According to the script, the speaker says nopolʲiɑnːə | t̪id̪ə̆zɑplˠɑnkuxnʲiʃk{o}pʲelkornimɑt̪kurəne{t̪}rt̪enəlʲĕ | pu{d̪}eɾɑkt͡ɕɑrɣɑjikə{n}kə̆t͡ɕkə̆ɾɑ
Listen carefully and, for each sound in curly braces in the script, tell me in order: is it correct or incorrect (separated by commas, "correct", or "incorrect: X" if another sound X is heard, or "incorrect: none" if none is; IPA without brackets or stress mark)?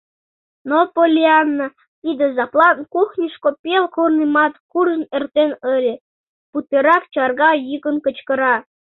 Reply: correct, incorrect: none, incorrect: t̪, correct